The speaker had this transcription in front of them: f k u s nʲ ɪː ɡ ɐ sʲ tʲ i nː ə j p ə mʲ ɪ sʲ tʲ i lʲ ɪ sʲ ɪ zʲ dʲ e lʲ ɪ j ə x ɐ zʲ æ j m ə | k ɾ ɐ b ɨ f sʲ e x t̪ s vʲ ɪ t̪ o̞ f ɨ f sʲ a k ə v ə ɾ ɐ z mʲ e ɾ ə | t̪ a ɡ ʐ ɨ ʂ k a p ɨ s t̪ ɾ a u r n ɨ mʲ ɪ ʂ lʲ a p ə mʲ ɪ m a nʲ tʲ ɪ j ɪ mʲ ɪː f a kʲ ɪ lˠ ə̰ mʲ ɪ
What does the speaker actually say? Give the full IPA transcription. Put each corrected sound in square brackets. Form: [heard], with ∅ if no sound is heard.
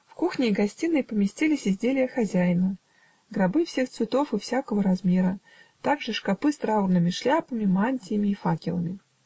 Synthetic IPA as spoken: f k u [x] nʲ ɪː ɡ ɐ sʲ tʲ i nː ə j p ə mʲ ɪ sʲ tʲ i lʲ ɪ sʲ ɪ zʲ dʲ e lʲ ɪ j ə x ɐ zʲ æ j [n] ə | [ɡ] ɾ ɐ b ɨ f sʲ e x t̪ s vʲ ɪ t̪ o̞ f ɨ f sʲ a k ə v ə ɾ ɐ z mʲ e ɾ ə | t̪ a ɡ ʐ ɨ ʂ k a p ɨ s t̪ ɾ a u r n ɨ mʲ ɪ ʂ lʲ a p ə mʲ ɪ m a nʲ tʲ ɪ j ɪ mʲ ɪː f a kʲ ɪ lˠ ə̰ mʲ ɪ

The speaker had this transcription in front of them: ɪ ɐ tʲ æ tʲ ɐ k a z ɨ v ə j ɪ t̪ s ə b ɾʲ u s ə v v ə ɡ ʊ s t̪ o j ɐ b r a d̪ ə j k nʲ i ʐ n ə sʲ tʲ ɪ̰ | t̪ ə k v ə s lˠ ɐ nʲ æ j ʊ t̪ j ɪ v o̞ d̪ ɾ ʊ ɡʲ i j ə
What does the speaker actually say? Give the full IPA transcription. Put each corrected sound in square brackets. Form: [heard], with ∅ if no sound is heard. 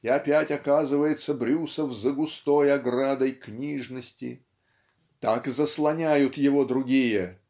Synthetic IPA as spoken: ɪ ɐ [pʲ] æ tʲ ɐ k a z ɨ v ə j ɪ t̪ s ə b ɾʲ u s ə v [z] ə ɡ ʊ s t̪ o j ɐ [ɡ] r a d̪ ə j k nʲ i ʐ n ə sʲ tʲ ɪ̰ | t̪ [a] k [z] ə s lˠ ɐ nʲ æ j ʊ t̪ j ɪ v o̞ d̪ ɾ ʊ ɡʲ i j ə

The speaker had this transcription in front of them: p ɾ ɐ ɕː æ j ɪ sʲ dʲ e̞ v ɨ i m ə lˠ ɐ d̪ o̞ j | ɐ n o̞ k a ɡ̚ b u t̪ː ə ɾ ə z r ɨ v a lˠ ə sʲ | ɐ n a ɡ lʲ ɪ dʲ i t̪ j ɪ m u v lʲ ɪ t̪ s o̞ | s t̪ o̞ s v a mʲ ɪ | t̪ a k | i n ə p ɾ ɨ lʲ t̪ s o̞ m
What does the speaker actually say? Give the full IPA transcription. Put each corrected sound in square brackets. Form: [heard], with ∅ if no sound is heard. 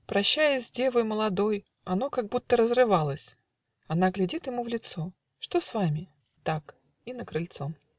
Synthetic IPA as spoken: p ɾ ɐ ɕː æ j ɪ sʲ dʲ e̞ v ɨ [j] m ə lˠ ɐ d̪ o̞ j | ɐ n o̞ k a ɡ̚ b u t̪ː ə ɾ ə z r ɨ v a lˠ ə sʲ | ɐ n a ɡ lʲ ɪ dʲ i t̪ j ɪ m u v lʲ ɪ t̪ s o̞ | [ʂ] t̪ o̞ s v a mʲ ɪ | t̪ a k | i n ə [k] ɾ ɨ lʲ t̪ s o̞ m

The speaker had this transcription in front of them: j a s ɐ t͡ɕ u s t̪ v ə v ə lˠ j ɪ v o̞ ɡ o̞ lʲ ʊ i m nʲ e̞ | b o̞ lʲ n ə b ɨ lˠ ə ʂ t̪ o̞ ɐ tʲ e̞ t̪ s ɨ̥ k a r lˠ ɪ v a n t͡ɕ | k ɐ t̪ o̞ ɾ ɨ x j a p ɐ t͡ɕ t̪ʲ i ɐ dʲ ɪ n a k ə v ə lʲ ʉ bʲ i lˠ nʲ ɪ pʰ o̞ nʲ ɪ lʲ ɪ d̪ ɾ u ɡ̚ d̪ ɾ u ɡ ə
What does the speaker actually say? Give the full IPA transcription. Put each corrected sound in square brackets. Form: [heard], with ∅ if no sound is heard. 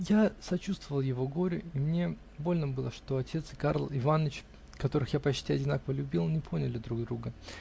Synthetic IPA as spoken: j a s ɐ t͡ɕ u s t̪ v ə v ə lˠ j ɪ v o̞ ɡ o̞ [ɾʲ] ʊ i m nʲ e̞ | b o̞ lʲ n ə b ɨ lˠ ə ʂ t̪ o̞ ɐ tʲ e̞ t̪ s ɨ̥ k a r lˠ ɪ v a n t͡ɕ | k ɐ t̪ o̞ ɾ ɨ x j a p ɐ t͡ɕ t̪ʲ i ɐ dʲ ɪ n a k ə v ə lʲ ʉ bʲ i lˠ nʲ ɪ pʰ o̞ nʲ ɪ lʲ ɪ d̪ ɾ u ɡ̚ d̪ ɾ u ɡ ə

